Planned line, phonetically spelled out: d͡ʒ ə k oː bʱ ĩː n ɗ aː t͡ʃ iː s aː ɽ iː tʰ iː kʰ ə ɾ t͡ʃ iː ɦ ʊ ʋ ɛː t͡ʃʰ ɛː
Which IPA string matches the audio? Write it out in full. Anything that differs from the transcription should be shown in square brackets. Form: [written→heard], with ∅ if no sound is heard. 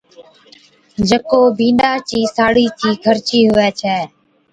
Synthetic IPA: d͡ʒ ə k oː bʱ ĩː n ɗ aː t͡ʃ iː s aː ɽ iː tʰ iː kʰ ə ɾ t͡ʃ iː ɦ ʊ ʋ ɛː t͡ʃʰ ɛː